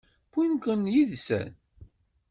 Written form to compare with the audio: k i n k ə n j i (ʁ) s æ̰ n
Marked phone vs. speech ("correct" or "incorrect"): incorrect